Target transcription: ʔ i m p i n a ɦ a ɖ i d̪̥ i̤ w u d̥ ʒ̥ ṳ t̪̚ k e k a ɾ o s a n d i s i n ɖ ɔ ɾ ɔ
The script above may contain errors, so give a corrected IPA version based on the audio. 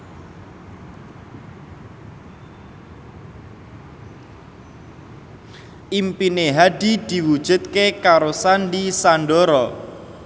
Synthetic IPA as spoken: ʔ i m p i n e ɦ a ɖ i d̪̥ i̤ w u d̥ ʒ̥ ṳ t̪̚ k e k a ɾ o s a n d i s a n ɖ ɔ ɾ ɔ